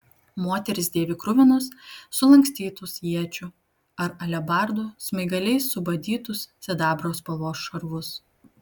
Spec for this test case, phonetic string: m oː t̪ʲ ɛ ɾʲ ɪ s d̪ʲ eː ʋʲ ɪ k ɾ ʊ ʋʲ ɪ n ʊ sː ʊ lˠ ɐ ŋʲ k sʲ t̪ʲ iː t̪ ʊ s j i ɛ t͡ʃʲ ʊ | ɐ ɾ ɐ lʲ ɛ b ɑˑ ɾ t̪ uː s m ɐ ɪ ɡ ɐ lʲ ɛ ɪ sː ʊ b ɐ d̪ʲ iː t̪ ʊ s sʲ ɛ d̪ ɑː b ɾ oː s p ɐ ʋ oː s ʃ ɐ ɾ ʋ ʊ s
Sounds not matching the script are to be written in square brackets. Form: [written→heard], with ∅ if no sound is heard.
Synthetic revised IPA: m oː t̪ʲ ɛ ɾʲ ɪ s d̪ʲ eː ʋʲ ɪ k ɾ ʊ ʋʲ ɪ n ʊ sː ʊ lˠ ɐ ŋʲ k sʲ t̪ʲ iː t̪ ʊ s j i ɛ t͡ʃʲ ʊ | ɐ ɾ ɐ lʲ ɛ b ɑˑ ɾ [t̪→d̪] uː s m ɐ ɪ ɡ ɐ lʲ ɛ ɪ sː ʊ b ɐ d̪ʲ iː t̪ ʊ s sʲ ɛ d̪ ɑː b ɾ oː s p ɐ ʋ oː s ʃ ɐ ɾ ʋ ʊ s